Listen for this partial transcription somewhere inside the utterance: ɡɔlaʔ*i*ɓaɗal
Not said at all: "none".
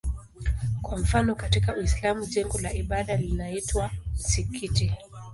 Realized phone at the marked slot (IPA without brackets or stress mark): i